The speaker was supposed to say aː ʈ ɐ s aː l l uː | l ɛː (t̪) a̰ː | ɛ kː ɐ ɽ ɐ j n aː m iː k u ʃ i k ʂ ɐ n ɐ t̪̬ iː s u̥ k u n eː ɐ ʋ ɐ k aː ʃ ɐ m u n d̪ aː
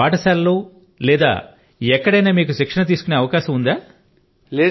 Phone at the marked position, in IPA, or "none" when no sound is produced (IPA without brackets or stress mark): d̪